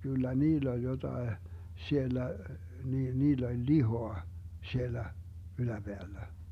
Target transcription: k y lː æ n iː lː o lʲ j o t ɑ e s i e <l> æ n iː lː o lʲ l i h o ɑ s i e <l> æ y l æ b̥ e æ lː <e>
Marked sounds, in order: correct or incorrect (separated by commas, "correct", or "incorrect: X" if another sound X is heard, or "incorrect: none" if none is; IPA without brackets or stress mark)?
incorrect: lː, incorrect: lː, incorrect: æ